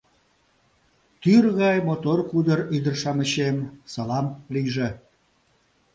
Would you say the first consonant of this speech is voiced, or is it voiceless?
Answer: voiceless